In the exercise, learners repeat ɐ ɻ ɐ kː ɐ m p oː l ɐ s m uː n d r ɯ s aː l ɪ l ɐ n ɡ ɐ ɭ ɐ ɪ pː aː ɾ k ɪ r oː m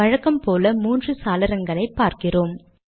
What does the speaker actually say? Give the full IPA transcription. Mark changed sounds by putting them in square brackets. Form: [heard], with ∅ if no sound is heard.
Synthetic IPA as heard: ɐ ɻ ɐ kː ɐ m p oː l ɐ [∅] m uː n d r ɯ s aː l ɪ [ɾ] ɐ [ŋ] ɡ ɐ ɭ ɐ ɪ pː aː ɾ k ɪ r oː m